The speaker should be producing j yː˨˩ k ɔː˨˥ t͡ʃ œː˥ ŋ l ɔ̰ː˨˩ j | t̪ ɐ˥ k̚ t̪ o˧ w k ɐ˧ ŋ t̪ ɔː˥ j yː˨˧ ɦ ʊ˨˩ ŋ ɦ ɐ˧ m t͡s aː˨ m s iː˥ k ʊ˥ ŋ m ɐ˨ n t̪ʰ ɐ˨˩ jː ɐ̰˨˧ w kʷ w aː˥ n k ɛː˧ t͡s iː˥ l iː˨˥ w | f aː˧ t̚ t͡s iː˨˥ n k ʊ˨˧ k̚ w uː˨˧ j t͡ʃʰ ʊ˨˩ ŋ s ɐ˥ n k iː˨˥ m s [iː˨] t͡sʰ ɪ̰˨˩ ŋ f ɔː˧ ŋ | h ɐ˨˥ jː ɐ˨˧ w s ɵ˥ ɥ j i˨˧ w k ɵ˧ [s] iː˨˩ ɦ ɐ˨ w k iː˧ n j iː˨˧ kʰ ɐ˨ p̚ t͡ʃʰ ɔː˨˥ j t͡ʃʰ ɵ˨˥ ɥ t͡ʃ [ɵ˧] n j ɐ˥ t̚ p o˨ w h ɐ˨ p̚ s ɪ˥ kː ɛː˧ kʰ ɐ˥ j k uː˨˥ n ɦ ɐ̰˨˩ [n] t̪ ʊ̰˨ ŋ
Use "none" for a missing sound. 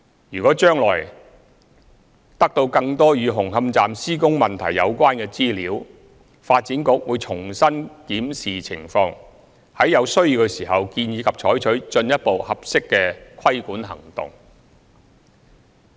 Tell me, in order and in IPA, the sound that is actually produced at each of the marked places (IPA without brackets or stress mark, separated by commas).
iː˨, s, ɵ˧, ŋ